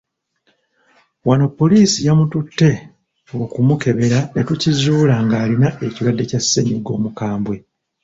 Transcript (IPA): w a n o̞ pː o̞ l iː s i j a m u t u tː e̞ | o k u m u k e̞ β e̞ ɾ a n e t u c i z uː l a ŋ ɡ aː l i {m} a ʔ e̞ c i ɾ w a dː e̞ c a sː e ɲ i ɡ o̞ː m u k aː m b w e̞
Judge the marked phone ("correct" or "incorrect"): incorrect